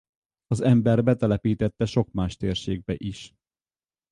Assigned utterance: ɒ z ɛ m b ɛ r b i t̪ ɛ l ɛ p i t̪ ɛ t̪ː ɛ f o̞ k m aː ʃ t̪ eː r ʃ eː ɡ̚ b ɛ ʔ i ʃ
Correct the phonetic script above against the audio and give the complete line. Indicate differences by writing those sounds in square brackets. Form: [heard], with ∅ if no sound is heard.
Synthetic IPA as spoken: ɒ z ɛ m b ɛ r b [ɛ] t̪ ɛ l ɛ p [iː] t̪ ɛ t̪ː ɛ [ʃ] o̞ k m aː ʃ t̪ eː r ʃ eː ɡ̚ b ɛ ʔ i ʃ